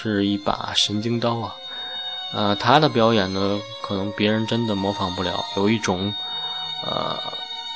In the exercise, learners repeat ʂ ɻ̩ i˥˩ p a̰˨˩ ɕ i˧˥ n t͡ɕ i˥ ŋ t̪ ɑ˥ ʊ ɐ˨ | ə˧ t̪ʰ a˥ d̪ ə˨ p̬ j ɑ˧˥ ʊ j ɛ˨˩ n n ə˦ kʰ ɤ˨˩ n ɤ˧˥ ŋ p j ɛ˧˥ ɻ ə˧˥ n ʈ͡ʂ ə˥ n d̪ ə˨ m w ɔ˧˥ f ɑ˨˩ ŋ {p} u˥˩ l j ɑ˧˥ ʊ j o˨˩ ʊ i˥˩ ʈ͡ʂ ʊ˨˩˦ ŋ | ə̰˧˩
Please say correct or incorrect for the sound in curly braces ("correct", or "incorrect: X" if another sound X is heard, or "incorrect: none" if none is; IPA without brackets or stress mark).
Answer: correct